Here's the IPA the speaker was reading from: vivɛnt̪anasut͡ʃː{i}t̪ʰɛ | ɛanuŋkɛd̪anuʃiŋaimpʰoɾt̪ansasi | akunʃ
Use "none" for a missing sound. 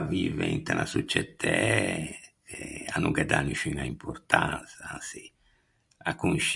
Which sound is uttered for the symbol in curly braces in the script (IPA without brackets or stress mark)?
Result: ɛ